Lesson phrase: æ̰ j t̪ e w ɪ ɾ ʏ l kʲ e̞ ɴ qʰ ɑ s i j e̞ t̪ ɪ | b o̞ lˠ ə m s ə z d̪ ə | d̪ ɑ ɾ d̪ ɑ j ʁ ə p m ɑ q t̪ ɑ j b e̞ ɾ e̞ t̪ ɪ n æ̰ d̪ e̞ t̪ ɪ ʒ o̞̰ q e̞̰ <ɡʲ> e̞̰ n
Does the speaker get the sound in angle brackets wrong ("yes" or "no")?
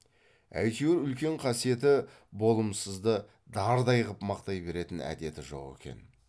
yes